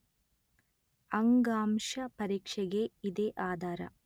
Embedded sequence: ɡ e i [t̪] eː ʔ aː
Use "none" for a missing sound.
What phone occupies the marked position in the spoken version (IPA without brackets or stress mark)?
d̪